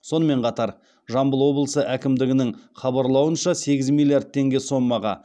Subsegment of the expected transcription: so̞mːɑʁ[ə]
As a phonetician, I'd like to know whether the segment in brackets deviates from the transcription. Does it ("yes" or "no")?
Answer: yes